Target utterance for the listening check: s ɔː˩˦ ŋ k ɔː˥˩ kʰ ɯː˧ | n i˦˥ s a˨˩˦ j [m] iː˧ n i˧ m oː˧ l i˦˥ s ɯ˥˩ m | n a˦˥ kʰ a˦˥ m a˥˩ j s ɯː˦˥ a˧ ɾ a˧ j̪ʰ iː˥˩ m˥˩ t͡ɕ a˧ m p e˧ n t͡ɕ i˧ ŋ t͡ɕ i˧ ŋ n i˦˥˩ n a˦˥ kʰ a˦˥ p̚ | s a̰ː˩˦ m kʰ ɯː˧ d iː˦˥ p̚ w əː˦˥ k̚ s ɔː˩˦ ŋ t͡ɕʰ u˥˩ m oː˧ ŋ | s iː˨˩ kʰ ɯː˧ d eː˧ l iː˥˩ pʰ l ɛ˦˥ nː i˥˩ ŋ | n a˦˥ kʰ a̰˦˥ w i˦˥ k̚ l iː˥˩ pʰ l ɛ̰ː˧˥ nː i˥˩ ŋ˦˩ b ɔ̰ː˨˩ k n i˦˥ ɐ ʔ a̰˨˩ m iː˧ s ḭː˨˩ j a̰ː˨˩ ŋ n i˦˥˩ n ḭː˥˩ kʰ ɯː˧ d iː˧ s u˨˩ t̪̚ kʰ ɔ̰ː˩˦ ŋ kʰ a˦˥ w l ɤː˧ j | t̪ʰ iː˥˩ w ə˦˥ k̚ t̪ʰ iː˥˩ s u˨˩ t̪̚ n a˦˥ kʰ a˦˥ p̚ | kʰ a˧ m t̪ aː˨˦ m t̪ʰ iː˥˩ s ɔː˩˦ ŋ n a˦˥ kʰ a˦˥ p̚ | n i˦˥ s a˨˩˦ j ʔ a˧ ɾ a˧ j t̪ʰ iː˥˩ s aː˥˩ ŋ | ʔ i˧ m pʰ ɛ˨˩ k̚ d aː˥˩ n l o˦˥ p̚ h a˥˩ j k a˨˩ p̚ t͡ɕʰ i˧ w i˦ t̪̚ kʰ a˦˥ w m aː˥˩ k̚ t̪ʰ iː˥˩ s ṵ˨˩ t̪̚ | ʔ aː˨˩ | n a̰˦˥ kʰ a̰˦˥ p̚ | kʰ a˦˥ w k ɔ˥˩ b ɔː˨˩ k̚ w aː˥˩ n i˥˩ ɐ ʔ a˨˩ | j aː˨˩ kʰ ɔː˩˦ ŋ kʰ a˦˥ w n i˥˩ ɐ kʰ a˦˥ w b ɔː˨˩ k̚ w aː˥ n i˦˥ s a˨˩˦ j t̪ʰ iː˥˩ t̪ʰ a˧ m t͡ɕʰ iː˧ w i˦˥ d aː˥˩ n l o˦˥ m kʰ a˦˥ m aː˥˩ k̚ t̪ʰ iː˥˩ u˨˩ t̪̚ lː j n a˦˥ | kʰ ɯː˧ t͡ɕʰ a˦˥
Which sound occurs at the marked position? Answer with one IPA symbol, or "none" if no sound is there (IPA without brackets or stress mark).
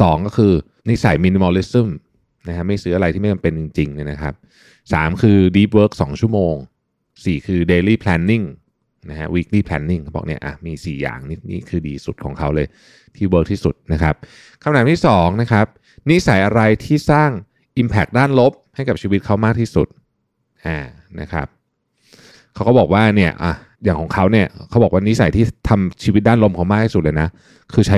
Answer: m